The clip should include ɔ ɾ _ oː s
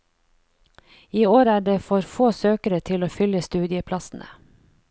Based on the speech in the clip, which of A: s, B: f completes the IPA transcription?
B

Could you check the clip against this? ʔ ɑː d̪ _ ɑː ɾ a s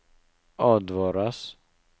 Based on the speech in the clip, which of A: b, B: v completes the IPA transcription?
B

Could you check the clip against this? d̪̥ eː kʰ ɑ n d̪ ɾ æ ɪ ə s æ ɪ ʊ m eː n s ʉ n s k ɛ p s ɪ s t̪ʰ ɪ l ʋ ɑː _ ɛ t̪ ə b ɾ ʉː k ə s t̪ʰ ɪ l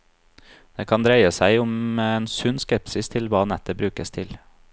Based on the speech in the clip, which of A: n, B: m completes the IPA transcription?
A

